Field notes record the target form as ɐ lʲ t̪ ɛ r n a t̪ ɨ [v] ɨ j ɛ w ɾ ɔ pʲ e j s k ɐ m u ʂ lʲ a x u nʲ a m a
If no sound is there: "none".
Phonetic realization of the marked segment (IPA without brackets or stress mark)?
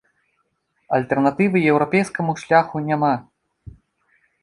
v